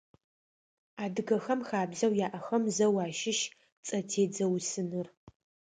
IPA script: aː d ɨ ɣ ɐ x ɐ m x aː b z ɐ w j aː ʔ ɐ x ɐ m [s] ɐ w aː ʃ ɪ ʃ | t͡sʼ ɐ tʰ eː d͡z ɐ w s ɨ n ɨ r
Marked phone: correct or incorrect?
incorrect